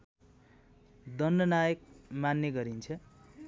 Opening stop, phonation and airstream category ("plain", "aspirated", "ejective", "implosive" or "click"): plain